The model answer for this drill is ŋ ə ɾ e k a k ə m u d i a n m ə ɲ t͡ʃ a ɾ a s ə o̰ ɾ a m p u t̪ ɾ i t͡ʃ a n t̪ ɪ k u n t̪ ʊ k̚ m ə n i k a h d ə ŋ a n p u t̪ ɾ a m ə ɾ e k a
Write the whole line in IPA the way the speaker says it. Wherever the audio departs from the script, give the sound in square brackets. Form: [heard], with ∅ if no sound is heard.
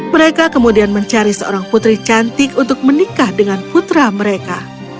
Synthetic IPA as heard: [m] ə ɾ e k a k ə m u d i a n m ə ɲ t͡ʃ a ɾ [i] s ə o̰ ɾ a [ŋ] p u t̪ ɾ i t͡ʃ a n t̪ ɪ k u n t̪ ʊ k̚ m ə n i k a h d ə ŋ a n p u t̪ ɾ a m ə ɾ e k a